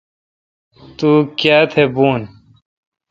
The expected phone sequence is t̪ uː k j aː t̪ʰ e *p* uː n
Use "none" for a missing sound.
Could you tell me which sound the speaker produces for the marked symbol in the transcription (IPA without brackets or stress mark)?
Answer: b